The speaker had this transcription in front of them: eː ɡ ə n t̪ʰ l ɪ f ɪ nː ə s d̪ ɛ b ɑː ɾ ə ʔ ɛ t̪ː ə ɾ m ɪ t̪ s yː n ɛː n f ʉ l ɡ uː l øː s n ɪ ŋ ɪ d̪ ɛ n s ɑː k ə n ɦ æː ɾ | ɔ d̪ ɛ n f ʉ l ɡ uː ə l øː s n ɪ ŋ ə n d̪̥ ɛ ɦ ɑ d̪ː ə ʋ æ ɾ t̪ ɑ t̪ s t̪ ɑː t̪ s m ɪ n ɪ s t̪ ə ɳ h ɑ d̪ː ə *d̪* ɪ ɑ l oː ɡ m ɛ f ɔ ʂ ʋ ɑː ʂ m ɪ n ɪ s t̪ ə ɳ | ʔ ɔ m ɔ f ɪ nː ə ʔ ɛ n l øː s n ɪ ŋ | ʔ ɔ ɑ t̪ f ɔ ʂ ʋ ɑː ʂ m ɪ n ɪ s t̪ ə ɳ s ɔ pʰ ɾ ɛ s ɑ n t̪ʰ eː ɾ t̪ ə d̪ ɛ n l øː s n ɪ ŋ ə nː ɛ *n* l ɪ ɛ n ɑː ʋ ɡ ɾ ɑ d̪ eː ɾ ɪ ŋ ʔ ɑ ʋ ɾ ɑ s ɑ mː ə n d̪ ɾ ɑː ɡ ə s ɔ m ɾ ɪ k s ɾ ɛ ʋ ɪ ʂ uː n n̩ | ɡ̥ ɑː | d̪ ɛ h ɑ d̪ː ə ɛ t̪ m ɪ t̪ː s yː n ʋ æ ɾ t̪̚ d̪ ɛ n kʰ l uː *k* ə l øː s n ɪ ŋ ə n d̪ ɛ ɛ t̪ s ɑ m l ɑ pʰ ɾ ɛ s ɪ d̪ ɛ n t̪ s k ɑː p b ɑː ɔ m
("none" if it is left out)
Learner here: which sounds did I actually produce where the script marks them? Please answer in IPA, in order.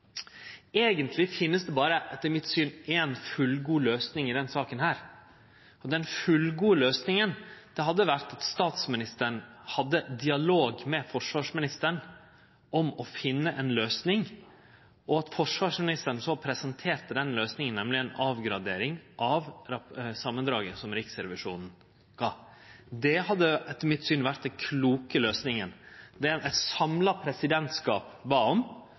d̪, m, k

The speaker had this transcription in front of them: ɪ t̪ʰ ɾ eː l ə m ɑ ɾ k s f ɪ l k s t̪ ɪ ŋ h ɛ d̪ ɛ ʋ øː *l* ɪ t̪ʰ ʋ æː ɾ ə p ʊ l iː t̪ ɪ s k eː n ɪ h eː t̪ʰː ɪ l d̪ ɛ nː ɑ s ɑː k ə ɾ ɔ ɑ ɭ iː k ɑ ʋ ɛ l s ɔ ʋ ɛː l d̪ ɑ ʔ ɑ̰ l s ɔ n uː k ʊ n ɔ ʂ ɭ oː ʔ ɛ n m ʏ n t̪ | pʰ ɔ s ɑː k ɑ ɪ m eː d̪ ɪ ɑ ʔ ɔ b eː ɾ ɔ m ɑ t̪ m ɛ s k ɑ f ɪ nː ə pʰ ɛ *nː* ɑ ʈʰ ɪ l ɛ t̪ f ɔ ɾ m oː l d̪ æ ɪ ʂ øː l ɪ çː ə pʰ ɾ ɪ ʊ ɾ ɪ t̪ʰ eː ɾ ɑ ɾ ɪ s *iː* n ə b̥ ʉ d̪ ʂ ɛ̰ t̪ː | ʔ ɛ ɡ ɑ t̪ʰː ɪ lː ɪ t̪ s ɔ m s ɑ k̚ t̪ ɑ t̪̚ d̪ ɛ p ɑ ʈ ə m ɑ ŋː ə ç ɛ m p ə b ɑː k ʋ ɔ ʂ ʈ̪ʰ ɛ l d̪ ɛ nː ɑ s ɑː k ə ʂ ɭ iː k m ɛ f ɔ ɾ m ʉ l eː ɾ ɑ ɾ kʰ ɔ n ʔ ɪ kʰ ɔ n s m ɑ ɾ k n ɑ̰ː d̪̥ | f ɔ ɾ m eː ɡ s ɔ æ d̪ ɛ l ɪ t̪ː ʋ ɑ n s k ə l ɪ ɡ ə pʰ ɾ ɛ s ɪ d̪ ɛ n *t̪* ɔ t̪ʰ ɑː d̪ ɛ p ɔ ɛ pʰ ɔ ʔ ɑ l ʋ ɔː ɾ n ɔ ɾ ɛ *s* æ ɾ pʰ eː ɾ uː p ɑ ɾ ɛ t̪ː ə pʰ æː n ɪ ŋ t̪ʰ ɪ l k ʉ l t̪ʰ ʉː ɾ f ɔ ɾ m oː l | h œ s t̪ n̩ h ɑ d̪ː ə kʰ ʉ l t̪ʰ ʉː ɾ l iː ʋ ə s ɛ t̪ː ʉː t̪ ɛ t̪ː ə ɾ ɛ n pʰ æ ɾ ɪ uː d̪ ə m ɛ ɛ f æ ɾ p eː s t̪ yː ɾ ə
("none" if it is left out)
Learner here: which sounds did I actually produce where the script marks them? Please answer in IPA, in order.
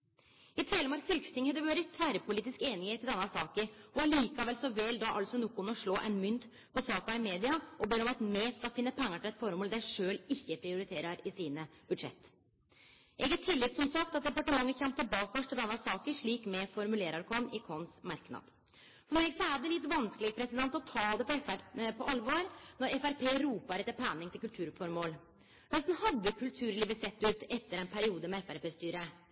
ɾ, ŋː, iː, t̪, f

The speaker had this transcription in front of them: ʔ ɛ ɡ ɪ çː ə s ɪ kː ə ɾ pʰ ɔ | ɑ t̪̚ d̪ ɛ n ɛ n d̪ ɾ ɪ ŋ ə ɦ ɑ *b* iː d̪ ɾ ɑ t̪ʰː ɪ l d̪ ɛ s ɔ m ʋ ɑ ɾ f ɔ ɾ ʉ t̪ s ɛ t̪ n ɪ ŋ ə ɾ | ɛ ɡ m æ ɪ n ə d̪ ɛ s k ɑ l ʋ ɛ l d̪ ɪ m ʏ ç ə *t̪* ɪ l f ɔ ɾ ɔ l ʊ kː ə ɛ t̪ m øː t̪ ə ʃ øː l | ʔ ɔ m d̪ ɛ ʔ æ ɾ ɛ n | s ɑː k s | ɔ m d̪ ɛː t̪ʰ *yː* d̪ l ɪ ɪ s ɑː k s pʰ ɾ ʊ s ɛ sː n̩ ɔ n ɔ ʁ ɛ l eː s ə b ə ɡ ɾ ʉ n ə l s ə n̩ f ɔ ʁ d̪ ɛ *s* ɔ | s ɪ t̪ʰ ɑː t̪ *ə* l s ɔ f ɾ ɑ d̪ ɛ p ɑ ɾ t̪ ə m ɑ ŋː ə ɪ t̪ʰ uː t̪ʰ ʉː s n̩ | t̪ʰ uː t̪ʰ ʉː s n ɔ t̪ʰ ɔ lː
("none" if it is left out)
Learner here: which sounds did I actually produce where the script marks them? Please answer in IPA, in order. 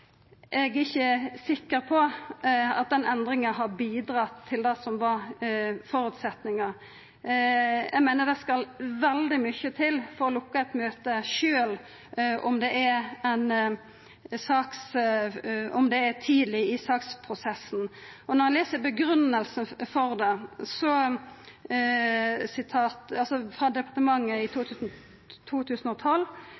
b, t̪ʰ, iː, s, ɑ

